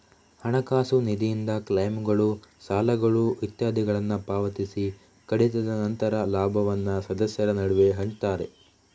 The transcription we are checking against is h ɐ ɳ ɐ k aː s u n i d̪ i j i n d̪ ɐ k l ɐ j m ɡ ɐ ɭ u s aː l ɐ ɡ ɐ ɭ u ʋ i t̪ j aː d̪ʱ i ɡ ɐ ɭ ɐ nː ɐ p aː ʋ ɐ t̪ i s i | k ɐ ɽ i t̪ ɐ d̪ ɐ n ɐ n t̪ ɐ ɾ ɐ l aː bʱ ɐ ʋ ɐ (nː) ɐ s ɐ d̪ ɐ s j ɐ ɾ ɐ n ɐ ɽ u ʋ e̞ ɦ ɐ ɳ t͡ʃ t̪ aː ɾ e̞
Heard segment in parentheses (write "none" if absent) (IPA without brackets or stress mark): nː